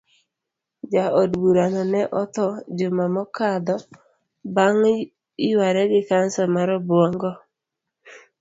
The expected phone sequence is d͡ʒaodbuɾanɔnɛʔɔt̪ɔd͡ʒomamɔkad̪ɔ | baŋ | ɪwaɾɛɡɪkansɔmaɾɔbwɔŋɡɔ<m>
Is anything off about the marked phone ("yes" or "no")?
yes